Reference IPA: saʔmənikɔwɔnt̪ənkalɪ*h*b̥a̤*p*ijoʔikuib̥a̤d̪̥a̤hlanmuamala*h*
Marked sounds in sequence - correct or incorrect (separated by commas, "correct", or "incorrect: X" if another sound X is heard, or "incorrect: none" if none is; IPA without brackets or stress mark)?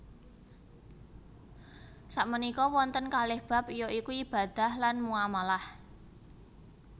correct, correct, correct